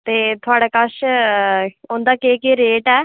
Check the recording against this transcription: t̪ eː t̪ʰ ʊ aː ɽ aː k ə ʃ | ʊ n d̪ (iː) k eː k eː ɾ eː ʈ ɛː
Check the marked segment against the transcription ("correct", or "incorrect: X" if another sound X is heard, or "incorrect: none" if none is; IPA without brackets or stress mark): incorrect: aː